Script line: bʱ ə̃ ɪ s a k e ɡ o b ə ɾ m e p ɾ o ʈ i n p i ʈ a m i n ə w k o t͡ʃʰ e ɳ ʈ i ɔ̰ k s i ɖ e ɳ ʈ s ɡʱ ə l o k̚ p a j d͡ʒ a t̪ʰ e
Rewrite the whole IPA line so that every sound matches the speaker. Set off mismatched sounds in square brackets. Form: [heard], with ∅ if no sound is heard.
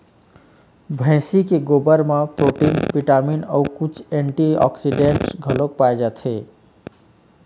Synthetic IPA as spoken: bʱ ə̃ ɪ s [i] k e ɡ o b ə ɾ m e p ɾ o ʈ i n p i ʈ a m i n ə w k [u] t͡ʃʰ e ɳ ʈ i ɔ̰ k s i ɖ e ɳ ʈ s ɡʱ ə l o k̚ p a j d͡ʒ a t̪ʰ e